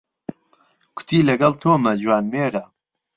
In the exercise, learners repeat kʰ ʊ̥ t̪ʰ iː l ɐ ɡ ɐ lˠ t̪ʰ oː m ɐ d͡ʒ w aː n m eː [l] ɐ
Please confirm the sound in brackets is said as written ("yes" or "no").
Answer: no